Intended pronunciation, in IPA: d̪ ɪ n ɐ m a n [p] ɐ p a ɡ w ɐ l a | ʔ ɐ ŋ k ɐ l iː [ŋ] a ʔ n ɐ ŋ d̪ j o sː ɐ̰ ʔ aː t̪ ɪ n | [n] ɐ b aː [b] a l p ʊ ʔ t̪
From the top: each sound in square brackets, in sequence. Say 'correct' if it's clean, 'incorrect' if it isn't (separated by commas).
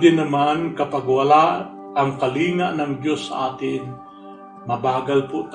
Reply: incorrect, correct, incorrect, incorrect